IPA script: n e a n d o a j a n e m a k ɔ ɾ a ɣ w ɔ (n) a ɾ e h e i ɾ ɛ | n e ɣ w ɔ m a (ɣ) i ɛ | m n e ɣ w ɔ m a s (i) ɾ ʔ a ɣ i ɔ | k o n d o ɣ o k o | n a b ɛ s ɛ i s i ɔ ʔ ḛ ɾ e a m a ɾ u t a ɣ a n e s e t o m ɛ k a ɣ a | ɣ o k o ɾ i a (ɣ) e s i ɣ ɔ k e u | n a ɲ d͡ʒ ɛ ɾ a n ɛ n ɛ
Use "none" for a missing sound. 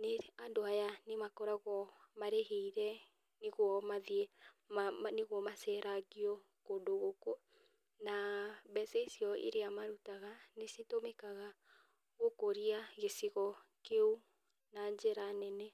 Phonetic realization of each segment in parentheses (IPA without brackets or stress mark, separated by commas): m, ð, ɛ, ɣ